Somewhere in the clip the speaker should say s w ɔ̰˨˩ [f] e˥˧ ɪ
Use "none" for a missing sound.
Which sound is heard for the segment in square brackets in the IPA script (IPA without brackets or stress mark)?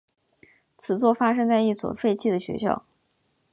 f